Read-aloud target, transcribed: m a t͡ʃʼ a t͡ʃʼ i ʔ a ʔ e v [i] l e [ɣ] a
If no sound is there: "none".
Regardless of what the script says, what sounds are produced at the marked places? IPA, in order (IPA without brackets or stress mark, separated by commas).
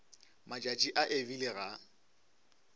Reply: i, ɣ